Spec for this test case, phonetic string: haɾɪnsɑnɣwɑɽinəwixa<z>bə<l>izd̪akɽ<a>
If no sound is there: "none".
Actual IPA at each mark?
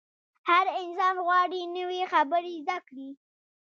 none, ɾ, i

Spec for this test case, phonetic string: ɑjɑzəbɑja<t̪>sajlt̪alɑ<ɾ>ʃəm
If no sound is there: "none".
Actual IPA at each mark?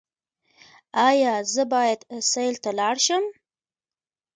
d̪, ɽ

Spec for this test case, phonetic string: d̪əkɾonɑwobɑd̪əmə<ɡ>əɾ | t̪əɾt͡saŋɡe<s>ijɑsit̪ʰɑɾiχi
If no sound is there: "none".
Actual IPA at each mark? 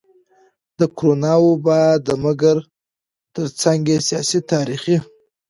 ɡ, s

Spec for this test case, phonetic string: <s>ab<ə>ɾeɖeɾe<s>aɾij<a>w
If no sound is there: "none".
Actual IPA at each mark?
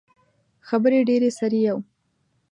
x, ə, s, a

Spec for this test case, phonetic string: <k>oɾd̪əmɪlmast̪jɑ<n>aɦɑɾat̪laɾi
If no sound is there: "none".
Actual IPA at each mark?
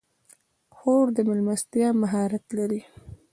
x, m

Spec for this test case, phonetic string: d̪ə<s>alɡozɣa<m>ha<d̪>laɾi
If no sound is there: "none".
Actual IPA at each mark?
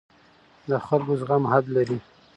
x, m, d̪

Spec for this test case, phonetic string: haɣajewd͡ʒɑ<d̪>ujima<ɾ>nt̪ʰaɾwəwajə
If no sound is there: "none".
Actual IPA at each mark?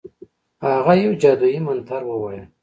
d̪, none

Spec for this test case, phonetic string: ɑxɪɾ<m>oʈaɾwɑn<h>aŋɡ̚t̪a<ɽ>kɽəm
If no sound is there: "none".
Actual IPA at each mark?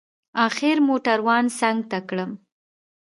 m, s, none

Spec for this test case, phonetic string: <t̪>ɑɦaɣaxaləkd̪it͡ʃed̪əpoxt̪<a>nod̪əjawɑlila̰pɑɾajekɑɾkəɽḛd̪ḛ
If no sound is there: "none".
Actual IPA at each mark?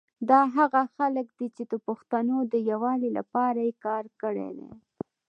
d̪, a

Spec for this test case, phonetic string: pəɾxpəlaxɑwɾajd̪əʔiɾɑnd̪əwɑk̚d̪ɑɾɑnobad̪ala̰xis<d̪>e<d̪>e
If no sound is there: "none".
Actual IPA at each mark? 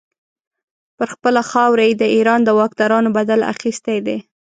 t̪, d̪

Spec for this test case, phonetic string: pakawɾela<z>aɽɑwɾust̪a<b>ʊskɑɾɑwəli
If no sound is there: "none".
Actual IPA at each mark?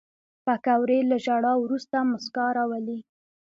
ʒ, m

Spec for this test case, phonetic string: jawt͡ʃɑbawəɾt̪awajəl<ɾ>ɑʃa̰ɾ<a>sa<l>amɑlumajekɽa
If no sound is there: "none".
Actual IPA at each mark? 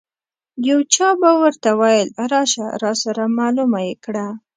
ɾ, ɑ, ɾ

